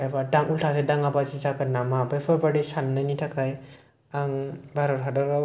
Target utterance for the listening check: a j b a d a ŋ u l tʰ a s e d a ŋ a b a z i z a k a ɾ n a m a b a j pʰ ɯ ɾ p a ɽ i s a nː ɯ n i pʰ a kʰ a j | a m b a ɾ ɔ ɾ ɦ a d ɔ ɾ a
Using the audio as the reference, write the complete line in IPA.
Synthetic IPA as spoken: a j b a d a ŋ u l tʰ a s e d a ŋ a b a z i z a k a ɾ n a m a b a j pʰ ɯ ɾ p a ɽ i s a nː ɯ n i tʰ a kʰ a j | a ŋ b a ɾ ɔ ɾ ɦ a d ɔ ɾ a